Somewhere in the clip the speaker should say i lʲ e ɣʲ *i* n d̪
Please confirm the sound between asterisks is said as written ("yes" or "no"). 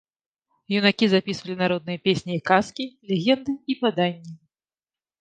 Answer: no